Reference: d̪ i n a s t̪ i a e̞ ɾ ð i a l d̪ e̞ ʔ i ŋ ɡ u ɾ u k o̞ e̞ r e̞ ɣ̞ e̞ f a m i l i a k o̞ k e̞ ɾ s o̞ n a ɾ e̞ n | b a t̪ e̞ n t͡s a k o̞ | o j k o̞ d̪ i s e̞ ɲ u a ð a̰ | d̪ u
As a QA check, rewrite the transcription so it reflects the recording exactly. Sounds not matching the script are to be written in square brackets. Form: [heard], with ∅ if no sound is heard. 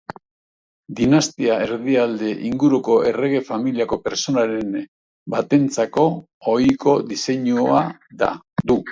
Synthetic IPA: d̪ i n a s t̪ i a e̞ ɾ ð i a l d̪ e̞ ʔ i ŋ ɡ u ɾ u k o̞ e̞ r e̞ ɣ̞ e̞ f a m i l i a k o̞ [p] e̞ ɾ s o̞ n a ɾ e̞ n | b a t̪ e̞ n t͡s a k o̞ | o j k o̞ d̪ i s e̞ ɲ u a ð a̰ | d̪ u